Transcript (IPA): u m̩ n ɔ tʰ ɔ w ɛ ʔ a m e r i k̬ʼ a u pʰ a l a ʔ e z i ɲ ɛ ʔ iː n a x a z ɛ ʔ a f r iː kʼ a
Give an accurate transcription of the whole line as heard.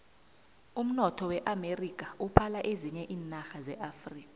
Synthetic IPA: u m̩ n ɔ tʰ ɔ w ɛ ʔ a m e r i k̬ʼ a u pʰ a l a ʔ e z i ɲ ɛ ʔ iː n a x a z ɛ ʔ a f r iː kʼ a